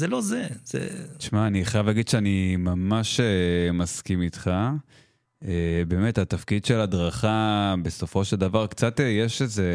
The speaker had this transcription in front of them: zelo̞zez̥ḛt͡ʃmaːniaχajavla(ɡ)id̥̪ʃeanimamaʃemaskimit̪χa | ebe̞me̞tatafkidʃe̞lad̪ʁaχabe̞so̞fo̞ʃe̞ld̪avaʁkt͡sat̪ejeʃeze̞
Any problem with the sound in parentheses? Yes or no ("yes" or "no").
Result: no